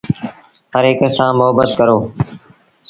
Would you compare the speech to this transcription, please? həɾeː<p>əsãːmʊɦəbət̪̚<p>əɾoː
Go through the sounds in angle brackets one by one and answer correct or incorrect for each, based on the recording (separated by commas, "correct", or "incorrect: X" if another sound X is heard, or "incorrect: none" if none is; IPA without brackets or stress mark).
incorrect: k, incorrect: k